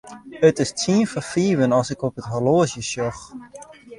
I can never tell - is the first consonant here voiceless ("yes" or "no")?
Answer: yes